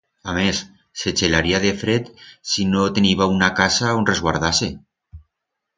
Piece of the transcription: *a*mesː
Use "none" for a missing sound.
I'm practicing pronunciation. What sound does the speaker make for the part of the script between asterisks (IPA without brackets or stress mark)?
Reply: a